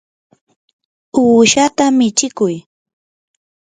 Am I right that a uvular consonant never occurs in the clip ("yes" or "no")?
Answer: yes